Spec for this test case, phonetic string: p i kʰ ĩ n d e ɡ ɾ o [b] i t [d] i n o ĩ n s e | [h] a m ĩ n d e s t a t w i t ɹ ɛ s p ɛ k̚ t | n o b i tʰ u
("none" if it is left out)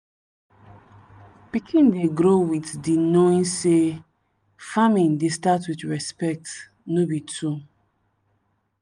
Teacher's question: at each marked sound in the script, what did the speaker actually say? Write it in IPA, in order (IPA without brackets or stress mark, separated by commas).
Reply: w, d, f